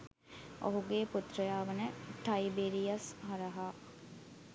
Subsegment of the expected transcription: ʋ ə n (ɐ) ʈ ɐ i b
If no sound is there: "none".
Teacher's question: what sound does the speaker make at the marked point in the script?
ə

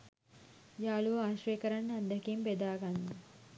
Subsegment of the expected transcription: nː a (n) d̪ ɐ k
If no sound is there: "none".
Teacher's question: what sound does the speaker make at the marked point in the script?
n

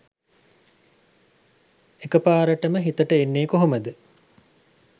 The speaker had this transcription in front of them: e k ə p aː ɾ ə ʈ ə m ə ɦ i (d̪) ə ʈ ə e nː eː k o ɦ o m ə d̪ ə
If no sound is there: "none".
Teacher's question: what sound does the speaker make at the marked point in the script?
t̪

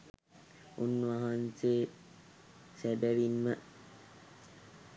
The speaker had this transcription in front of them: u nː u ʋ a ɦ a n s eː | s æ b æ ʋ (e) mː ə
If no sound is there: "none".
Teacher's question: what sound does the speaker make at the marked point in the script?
i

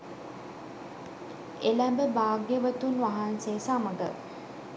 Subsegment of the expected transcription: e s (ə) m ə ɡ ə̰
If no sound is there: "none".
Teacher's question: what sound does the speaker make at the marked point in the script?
a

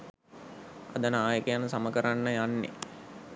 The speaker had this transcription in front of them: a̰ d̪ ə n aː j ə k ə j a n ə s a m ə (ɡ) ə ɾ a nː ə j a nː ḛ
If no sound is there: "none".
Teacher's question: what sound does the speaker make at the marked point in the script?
k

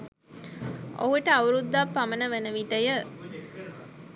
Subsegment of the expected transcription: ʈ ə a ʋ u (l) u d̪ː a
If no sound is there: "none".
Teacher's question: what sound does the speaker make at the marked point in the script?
ɾ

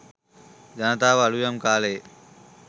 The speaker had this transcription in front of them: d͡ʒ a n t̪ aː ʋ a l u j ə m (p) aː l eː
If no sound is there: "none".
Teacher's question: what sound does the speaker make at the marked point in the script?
k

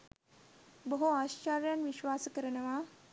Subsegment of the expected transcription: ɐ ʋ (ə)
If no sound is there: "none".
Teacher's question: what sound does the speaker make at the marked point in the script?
a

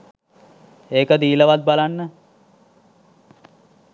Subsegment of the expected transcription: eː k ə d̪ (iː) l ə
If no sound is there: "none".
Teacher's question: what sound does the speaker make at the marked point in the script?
iː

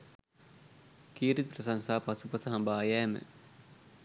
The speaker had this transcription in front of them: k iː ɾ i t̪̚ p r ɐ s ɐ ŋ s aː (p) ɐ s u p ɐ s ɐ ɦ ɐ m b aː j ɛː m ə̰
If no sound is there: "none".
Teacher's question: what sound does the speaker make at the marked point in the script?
p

